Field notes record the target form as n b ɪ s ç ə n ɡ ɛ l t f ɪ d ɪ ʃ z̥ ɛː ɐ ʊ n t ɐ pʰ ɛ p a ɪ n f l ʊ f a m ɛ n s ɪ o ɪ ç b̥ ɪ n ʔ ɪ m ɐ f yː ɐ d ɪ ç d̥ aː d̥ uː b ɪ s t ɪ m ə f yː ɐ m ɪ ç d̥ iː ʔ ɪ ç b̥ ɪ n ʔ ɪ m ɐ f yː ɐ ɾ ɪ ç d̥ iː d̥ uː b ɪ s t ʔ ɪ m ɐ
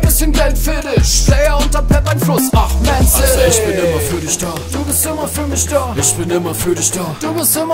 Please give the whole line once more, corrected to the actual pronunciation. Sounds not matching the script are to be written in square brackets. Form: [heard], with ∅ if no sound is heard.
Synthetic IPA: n b ɪ s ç ə n ɡ ɛ l t f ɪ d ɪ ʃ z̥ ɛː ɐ ʊ n t ɐ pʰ ɛ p a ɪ n f l ʊ [s] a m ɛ n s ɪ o ɪ ç b̥ ɪ n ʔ ɪ m ɐ f yː ɐ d ɪ ç d̥ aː d̥ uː b ɪ s t ɪ m [ɐ] f yː ɐ m ɪ ç d̥ [aː] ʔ ɪ ç b̥ ɪ n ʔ ɪ m ɐ f yː ɐ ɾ ɪ ç d̥ [aː] d̥ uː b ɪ s t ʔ ɪ m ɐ